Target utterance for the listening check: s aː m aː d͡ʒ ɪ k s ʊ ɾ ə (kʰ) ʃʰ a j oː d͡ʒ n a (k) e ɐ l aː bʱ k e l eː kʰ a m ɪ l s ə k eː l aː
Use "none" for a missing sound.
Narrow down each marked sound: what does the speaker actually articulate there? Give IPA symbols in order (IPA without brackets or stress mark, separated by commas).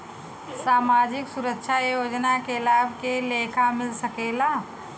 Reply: k, k